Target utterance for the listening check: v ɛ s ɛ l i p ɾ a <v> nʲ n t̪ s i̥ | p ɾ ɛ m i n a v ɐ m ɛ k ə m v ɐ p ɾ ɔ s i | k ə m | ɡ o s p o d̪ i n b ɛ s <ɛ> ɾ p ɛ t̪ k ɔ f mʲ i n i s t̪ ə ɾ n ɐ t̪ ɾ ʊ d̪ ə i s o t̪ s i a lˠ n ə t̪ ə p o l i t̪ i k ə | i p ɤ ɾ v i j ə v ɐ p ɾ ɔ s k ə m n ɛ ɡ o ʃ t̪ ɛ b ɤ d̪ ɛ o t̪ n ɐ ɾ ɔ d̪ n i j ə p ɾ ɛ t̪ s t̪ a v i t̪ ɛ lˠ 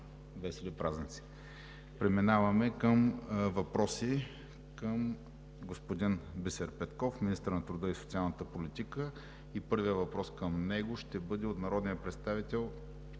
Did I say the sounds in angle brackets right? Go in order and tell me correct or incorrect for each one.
incorrect, correct

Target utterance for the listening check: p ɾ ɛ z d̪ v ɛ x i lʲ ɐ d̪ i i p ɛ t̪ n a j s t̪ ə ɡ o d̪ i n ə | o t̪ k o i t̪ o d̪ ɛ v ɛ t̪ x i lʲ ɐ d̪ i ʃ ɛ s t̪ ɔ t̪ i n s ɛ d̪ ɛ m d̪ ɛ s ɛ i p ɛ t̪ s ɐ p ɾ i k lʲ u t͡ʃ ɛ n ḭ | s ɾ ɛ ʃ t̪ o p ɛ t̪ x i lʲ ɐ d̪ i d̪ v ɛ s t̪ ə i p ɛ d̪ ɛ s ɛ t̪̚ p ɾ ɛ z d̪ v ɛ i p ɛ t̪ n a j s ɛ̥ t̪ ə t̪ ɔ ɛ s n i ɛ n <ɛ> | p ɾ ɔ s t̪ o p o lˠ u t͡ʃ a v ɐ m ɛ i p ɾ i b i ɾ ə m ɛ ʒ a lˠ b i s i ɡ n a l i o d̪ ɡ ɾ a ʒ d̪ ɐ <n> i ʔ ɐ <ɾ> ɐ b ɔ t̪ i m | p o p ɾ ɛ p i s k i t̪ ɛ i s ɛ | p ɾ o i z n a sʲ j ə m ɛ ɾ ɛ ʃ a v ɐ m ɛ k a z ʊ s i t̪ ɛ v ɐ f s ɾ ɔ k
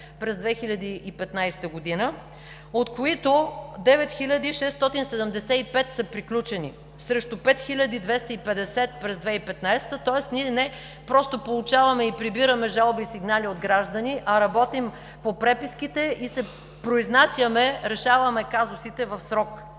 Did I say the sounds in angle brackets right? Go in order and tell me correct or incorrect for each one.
correct, correct, correct

